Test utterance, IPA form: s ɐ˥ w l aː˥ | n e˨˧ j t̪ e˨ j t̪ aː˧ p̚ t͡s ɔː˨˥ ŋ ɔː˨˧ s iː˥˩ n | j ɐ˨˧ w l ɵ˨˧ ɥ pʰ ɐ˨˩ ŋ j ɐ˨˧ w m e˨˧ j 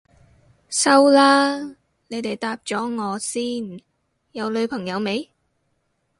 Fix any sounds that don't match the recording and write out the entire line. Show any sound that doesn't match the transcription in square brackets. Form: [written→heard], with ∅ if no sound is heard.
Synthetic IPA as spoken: s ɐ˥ w l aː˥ | n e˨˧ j t̪ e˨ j t̪ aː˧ p̚ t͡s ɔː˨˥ ŋ ɔː˨˧ s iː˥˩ n | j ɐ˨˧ w l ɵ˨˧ ɥ pʰ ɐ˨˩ ŋ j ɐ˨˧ w m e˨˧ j